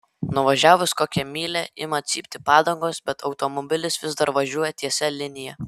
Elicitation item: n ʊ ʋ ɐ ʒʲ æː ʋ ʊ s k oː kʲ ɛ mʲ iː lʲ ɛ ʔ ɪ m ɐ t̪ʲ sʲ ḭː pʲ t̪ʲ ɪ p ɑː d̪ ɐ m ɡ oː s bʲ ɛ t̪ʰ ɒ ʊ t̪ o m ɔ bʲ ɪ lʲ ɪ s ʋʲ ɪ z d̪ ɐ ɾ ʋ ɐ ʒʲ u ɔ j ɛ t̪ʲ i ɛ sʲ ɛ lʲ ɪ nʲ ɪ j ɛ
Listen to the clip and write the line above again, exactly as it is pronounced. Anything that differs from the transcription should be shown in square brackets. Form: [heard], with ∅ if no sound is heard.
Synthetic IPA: n ʊ ʋ ɐ ʒʲ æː ʋ ʊ s k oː kʲ ɛ mʲ iː lʲ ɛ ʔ ɪ m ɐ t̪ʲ sʲ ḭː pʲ t̪ʲ ɪ p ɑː d̪ ɐ [ŋ] ɡ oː s bʲ ɛ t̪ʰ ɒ ʊ t̪ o m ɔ bʲ ɪ lʲ ɪ s ʋʲ ɪ z d̪ ɐ ɾ ʋ ɐ ʒʲ u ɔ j ɛ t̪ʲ i ɛ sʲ ɛ lʲ ɪ nʲ ɪ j ɛ